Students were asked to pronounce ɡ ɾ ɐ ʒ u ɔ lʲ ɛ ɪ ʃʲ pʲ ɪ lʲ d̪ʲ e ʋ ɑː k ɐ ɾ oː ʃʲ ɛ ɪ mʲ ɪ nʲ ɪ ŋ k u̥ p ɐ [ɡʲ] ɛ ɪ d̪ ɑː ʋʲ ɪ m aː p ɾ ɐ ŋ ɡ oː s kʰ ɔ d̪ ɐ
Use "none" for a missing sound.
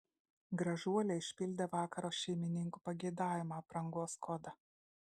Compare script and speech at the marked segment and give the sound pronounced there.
ɡʲ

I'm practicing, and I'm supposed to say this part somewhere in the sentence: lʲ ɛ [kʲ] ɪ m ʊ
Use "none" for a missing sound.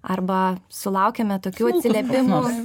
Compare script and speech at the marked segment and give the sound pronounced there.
pʲ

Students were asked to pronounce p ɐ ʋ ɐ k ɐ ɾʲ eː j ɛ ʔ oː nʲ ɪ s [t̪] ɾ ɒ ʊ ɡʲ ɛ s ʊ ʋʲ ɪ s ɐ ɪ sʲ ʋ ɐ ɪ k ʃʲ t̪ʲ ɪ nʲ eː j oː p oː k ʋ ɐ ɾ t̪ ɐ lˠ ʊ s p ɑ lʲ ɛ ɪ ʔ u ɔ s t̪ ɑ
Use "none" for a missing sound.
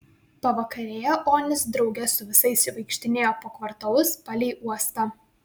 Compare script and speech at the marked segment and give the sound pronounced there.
d̪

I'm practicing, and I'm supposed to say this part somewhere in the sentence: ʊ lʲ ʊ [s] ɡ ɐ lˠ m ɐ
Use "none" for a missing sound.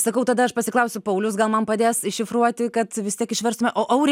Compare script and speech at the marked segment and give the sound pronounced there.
s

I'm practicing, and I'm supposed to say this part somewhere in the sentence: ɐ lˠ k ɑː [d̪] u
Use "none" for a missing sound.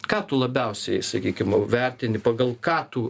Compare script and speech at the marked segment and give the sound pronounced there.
t̪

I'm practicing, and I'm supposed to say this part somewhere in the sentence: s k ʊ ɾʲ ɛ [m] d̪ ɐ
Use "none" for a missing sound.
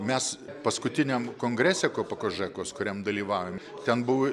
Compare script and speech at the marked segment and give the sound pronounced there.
m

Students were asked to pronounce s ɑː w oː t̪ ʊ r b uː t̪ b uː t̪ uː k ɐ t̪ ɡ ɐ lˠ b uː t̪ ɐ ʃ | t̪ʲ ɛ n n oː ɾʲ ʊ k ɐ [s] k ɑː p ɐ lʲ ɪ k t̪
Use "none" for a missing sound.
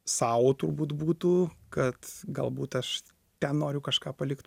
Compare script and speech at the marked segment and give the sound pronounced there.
ʃ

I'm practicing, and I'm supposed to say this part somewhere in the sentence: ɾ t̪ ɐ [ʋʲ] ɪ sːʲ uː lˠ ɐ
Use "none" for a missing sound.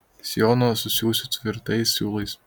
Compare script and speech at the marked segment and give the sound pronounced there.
none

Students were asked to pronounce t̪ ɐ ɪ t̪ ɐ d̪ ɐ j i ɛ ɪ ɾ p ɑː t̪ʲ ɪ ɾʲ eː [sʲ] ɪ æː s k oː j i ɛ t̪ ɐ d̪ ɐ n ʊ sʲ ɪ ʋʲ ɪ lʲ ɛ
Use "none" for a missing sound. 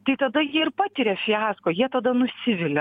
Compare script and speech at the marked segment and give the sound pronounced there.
fʲ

